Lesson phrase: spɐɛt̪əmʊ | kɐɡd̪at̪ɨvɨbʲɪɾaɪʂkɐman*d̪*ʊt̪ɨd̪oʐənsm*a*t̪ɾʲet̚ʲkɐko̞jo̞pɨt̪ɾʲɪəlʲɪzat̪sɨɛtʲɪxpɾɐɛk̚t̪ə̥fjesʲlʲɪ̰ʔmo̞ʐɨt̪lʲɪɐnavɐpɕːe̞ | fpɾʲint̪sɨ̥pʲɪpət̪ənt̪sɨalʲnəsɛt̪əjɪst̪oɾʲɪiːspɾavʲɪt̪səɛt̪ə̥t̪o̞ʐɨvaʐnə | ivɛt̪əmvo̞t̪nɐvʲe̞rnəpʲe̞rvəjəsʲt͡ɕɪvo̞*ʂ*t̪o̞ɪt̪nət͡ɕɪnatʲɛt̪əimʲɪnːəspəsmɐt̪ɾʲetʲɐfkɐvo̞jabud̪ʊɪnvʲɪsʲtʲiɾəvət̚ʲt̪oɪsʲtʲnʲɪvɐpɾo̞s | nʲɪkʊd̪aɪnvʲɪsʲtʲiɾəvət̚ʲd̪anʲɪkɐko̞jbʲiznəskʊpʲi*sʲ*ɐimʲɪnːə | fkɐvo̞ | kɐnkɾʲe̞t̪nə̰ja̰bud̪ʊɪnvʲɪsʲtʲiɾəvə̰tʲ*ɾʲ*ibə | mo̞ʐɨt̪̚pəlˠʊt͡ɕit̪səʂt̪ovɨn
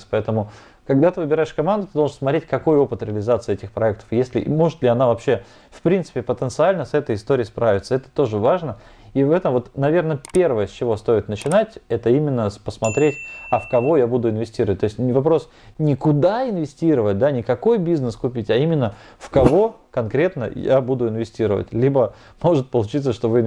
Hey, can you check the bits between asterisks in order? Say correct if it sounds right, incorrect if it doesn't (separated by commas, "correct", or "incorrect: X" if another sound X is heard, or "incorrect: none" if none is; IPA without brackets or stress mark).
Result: correct, incorrect: ɐ, incorrect: s, incorrect: tʲ, incorrect: lʲ